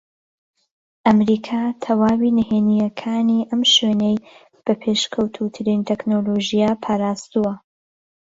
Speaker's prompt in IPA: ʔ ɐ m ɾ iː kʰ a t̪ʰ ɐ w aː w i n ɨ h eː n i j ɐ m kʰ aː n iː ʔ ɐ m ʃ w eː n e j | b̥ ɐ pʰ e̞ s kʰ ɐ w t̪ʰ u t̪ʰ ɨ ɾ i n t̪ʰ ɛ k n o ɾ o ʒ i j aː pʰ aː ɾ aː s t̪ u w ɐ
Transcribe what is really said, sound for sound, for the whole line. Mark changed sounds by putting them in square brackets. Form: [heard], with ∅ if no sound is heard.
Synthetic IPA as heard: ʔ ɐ m ɾ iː kʰ a t̪ʰ ɐ w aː w i n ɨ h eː n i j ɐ [∅] kʰ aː n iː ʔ ɐ m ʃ w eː n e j | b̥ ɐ pʰ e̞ [ʃ] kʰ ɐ w t̪ʰ u t̪ʰ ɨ ɾ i n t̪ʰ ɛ k n o [l] o ʒ i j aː pʰ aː ɾ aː s t̪ u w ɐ